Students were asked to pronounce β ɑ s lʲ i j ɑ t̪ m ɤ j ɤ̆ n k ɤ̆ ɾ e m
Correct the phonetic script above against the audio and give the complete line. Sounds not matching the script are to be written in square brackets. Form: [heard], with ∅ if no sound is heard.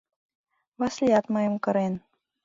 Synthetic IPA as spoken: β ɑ s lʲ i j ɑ t̪ m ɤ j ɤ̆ [m] k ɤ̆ ɾ e [n]